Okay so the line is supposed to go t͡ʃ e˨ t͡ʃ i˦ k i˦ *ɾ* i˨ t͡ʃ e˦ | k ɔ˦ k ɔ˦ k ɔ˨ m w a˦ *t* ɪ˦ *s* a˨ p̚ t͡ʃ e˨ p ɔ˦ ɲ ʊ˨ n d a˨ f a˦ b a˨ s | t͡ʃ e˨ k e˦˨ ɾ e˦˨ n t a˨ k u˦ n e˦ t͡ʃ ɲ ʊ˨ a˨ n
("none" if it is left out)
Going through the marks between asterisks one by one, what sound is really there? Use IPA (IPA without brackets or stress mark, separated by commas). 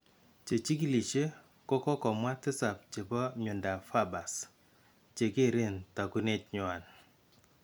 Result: l, t, s